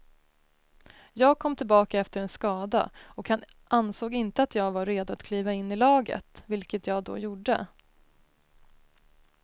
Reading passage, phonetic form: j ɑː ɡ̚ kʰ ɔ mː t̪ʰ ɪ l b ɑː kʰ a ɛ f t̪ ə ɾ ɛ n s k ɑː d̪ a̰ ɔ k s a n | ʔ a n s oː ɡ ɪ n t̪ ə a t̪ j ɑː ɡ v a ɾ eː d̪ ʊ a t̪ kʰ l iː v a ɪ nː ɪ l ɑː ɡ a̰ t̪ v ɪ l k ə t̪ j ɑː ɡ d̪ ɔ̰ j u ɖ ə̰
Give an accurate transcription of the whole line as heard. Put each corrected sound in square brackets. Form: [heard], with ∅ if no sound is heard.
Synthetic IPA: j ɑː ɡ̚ kʰ ɔ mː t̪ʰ ɪ l b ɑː [k] a ɛ f t̪ ə ɾ ɛ n s k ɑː d̪ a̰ ɔ k [h] a n | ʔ a n s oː ɡ ɪ n t̪ ə a t̪ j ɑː ɡ v a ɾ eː d̪ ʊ a t̪ kʰ l iː v a ɪ nː ɪ l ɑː ɡ [ə̰] t̪ v ɪ l k ə t̪ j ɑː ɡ d̪ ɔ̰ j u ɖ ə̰